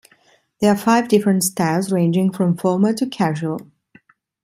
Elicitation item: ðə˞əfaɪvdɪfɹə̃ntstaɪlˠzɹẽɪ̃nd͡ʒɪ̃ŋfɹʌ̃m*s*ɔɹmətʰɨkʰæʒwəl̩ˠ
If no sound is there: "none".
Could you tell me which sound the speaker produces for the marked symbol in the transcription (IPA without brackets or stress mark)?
f